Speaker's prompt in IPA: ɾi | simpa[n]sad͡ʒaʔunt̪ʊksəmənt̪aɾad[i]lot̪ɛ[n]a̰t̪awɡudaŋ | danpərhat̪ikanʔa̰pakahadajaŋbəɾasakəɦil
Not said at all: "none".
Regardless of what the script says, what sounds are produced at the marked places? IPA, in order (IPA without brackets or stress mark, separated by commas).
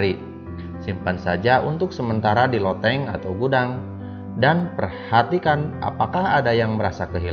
n, i, ŋ